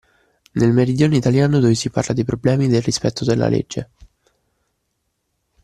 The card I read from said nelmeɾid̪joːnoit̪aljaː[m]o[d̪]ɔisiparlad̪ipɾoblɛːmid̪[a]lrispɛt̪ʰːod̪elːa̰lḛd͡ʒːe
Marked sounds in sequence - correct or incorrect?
incorrect, correct, incorrect

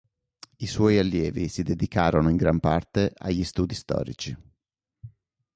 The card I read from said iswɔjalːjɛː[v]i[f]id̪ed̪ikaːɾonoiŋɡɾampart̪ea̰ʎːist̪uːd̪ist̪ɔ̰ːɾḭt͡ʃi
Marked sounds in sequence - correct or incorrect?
correct, incorrect

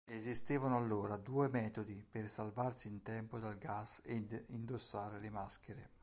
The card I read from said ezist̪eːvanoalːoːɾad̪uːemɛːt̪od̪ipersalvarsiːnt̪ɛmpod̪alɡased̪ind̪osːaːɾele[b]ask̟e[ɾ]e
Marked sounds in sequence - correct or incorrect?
incorrect, correct

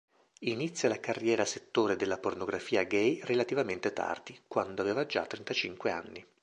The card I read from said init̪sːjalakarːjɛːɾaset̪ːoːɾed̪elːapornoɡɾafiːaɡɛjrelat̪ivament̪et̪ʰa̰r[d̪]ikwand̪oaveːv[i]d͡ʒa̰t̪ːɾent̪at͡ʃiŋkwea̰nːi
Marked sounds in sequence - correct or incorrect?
correct, incorrect

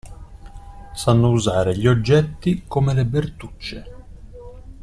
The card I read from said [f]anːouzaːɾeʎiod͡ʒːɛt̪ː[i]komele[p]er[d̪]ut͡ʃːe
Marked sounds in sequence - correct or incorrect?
incorrect, correct, incorrect, incorrect

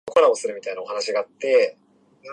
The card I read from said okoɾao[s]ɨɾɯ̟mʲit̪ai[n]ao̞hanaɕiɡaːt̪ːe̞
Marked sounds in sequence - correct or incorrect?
correct, correct

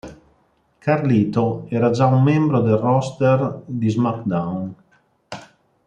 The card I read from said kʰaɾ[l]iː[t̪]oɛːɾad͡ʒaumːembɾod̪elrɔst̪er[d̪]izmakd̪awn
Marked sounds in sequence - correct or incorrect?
correct, correct, correct

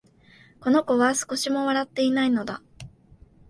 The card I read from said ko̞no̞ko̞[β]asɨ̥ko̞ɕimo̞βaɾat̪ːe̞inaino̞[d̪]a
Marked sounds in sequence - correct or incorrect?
correct, correct

